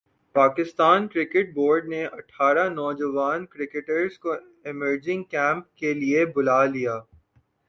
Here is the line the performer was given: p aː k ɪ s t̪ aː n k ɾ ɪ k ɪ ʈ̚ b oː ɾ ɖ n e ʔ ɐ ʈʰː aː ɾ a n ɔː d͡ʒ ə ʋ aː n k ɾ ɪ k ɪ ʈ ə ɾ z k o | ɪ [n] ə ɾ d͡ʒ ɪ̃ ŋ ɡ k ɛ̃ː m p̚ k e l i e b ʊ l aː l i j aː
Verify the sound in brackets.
incorrect: m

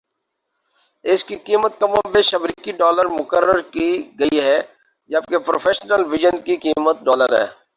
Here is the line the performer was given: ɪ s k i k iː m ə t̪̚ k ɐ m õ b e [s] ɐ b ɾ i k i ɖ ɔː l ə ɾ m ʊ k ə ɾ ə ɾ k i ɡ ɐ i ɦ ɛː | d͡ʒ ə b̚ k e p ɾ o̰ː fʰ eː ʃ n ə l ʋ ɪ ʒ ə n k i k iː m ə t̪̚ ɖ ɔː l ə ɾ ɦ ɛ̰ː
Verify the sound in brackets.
incorrect: ʃ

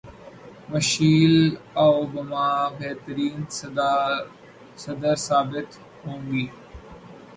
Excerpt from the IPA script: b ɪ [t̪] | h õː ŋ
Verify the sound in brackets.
correct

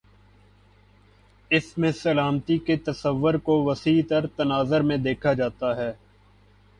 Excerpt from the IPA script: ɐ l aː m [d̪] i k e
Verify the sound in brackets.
incorrect: t̪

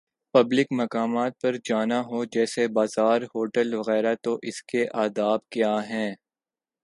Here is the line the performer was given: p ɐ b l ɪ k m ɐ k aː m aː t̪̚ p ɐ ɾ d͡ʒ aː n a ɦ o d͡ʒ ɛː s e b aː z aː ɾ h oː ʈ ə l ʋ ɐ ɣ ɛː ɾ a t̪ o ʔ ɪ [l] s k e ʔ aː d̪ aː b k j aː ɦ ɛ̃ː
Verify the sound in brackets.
incorrect: none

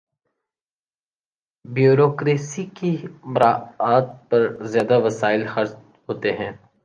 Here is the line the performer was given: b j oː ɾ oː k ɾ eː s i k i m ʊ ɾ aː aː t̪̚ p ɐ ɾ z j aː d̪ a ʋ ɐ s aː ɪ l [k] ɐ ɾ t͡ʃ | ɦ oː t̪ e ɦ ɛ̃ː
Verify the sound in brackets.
incorrect: x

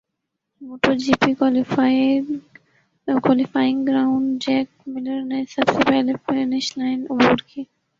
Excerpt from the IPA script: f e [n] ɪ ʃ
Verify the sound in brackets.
correct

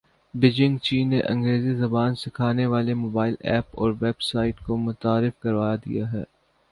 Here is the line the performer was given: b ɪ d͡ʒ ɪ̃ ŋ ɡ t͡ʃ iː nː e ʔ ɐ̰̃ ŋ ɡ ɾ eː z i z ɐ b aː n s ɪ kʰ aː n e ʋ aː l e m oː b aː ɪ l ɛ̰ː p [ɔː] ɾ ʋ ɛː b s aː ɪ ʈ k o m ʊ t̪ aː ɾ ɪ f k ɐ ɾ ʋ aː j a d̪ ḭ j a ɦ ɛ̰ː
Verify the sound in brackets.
correct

